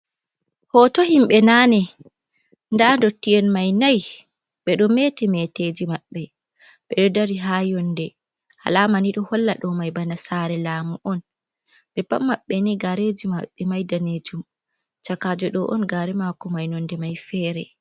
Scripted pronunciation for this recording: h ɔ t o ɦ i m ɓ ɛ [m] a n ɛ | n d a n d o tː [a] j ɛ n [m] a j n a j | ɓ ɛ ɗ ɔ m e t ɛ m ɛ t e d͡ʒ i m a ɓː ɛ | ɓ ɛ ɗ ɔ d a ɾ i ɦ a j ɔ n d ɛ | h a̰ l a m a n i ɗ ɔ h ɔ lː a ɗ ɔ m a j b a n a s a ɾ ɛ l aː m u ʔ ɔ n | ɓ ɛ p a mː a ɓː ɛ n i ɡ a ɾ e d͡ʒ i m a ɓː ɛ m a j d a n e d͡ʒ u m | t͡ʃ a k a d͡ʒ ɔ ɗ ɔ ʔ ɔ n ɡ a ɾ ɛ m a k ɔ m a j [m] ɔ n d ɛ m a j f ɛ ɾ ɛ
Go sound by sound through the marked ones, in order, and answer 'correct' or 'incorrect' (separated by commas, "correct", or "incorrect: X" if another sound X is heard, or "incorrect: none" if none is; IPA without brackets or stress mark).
incorrect: n, incorrect: i, correct, incorrect: n